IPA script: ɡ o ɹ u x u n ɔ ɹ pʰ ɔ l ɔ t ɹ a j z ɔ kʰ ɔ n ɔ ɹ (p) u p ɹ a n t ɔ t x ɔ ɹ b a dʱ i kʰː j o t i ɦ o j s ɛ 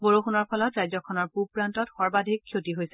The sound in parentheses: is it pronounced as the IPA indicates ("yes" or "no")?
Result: yes